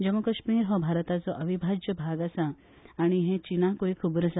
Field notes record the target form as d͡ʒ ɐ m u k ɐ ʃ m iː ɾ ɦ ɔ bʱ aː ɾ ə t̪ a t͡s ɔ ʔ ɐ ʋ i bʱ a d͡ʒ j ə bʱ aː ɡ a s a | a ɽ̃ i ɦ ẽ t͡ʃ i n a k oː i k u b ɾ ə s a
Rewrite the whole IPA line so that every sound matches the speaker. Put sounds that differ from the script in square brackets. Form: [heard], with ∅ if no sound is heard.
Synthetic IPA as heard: d͡ʒ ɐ m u k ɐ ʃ m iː ɾ ɦ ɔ bʱ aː ɾ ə t̪ a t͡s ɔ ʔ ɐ ʋ i bʱ a d͡ʒ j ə bʱ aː ɡ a s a | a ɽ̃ i ɦ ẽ t͡ʃ i n a k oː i [kʰ] u b ɾ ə s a

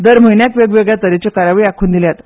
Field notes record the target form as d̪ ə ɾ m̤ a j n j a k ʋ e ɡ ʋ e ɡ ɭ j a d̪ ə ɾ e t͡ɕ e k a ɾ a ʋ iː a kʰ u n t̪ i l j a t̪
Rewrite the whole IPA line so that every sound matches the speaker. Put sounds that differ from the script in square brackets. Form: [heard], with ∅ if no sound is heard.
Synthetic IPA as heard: d̪ ə ɾ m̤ [ə] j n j a k ʋ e ɡ ʋ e ɡ ɭ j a [t̪] ə ɾ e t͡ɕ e k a ɾ a ʋ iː a kʰ [uː] n [d̪] i l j a t̪

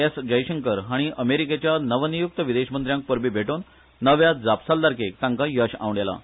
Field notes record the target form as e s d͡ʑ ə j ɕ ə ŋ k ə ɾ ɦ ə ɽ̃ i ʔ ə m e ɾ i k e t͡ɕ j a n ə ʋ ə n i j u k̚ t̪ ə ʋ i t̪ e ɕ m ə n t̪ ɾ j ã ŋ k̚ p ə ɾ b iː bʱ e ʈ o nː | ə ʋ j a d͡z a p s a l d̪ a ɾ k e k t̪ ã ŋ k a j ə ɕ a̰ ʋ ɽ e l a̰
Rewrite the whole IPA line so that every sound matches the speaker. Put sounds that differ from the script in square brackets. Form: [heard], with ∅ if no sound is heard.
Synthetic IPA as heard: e s d͡ʑ ə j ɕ ə ŋ k ə ɾ ɦ [a] ɽ̃ i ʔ ə m e ɾ i k e t͡ɕ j a n ə ʋ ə n i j u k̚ t̪ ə ʋ i [d̪] e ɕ m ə n t̪ ɾ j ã ŋ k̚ p ə ɾ b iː bʱ e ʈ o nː | ə ʋ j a d͡z a p s a l d̪ a ɾ k e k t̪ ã ŋ k a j ə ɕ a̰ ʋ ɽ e l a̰

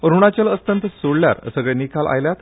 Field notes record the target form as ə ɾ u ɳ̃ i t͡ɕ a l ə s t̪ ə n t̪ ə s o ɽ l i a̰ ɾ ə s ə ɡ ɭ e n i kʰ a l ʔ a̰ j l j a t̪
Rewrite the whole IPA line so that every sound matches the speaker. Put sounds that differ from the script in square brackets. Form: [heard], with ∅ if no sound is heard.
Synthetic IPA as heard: ə ɾ u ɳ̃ [a] t͡ɕ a l ə s t̪ ə n t̪ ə s o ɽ l [j] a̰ ɾ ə s ə ɡ ɭ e n i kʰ a l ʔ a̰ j l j a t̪

